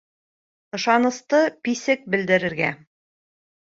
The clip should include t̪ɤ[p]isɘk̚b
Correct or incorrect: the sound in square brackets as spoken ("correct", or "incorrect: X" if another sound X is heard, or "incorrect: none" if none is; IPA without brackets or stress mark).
correct